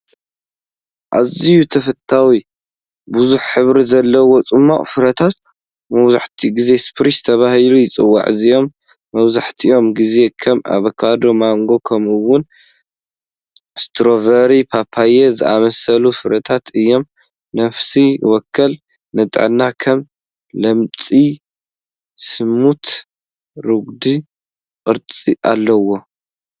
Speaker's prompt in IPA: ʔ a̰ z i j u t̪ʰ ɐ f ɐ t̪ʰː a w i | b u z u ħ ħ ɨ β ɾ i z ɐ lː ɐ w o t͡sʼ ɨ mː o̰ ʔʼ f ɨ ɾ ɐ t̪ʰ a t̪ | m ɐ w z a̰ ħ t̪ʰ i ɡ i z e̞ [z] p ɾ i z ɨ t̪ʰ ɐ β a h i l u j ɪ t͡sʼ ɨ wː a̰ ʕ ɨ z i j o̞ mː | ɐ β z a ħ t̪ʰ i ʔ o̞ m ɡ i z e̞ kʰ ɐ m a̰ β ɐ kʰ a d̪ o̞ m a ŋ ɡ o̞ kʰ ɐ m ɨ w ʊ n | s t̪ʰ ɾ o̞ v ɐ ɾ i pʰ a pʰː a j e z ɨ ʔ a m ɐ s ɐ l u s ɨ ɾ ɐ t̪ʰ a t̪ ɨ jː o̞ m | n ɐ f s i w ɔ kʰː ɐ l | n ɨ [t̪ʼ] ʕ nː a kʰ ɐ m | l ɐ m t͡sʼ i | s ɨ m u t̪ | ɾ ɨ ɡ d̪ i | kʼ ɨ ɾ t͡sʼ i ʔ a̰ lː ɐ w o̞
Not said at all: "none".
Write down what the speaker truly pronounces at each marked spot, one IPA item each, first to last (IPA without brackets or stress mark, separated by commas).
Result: s, t̪ʼ